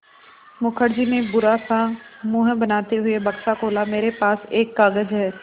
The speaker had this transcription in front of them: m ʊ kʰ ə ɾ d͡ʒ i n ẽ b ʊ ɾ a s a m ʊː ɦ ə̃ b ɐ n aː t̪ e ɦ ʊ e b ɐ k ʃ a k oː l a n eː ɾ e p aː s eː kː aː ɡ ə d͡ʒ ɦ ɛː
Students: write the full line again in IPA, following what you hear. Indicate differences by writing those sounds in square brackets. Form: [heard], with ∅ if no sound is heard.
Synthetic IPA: m ʊ kʰ ə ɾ d͡ʒ i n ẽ b ʊ ɾ a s a m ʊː ɦ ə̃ b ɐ n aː t̪ e ɦ ʊ e b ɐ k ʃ a k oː l a [m] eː ɾ e p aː s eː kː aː ɡ ə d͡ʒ ɦ ɛː